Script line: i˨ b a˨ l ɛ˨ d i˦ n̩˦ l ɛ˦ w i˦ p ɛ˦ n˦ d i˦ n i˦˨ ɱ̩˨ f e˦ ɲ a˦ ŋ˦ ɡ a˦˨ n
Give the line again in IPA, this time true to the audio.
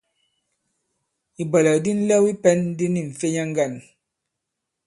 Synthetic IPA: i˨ b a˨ l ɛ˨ d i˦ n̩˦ l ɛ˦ w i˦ p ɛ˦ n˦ d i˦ n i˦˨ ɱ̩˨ f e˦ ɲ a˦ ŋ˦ ɡ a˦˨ n